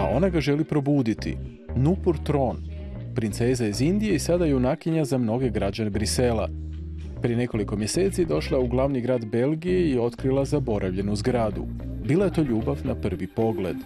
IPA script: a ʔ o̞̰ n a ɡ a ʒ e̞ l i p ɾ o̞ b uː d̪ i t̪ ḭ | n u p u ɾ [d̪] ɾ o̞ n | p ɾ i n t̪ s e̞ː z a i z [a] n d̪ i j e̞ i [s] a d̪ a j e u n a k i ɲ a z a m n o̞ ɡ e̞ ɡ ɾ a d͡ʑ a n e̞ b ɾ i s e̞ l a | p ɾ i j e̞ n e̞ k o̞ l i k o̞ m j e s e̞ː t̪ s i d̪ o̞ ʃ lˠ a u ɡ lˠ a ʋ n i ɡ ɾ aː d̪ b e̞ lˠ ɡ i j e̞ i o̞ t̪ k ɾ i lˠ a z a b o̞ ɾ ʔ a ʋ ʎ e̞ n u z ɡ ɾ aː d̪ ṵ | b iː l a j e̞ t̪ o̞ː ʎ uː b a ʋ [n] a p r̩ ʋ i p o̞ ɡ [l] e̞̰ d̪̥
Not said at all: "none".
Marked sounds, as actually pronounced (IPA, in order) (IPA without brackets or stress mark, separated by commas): t̪, i, s, n, l